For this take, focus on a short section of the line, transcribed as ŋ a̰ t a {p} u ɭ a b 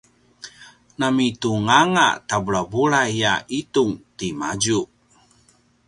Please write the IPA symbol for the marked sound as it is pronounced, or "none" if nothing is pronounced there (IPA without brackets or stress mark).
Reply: b